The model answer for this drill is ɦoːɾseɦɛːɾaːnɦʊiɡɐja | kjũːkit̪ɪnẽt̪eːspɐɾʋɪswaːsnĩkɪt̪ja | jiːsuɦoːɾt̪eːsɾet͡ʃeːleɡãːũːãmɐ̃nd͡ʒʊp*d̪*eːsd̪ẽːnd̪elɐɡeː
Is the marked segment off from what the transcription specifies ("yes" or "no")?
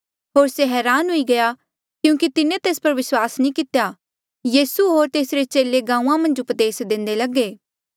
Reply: no